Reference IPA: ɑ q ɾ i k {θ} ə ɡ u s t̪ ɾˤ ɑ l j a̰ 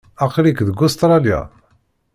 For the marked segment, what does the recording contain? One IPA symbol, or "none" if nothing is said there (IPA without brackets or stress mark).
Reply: ð